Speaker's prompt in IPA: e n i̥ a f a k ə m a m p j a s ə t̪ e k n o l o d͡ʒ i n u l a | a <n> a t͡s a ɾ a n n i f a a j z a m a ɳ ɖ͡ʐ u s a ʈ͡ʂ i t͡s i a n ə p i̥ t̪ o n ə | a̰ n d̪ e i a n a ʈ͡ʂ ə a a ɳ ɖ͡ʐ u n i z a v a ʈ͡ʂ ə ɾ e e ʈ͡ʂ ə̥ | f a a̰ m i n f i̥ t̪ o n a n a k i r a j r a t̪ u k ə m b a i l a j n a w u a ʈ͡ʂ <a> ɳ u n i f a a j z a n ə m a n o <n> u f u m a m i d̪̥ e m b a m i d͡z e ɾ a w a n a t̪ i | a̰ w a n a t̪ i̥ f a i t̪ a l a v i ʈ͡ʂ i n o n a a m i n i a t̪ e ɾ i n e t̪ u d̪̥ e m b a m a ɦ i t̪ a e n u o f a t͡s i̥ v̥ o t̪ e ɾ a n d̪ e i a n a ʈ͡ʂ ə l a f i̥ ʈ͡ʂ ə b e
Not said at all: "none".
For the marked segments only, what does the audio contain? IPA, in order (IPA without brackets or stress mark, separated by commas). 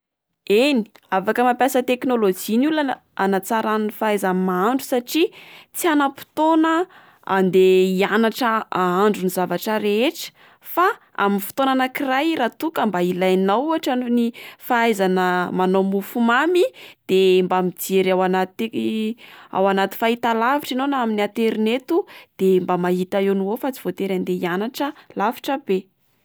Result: n, a, m